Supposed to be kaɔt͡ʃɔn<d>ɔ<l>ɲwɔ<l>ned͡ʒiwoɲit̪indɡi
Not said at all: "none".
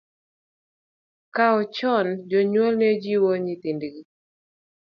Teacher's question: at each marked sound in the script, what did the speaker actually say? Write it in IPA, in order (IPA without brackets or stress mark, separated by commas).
d͡ʒ, none, l